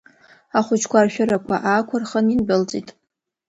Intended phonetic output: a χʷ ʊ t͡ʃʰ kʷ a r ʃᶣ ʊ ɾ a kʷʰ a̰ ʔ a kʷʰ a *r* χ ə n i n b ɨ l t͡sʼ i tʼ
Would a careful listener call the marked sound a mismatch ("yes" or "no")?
no